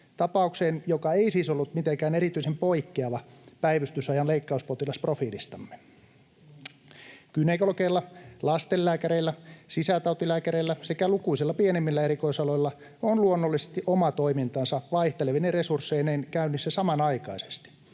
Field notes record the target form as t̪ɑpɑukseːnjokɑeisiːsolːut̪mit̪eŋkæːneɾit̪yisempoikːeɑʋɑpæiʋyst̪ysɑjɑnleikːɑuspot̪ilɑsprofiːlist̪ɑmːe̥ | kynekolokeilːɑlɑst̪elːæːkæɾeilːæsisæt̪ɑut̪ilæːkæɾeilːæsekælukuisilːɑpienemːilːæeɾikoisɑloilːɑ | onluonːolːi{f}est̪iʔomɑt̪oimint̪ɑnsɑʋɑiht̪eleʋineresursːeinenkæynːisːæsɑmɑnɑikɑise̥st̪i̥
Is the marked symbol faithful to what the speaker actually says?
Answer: no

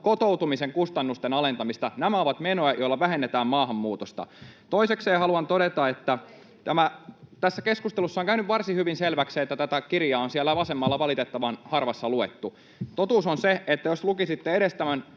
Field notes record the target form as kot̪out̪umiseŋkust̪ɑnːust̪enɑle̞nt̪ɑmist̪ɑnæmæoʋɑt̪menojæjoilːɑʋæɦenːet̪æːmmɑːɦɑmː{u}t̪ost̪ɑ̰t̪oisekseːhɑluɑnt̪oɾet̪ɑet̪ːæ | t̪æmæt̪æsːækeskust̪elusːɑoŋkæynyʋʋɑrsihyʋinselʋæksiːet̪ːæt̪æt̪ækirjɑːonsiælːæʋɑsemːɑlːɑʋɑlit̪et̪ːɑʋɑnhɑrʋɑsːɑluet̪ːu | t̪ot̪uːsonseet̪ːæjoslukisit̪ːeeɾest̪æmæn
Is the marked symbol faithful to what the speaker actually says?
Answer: no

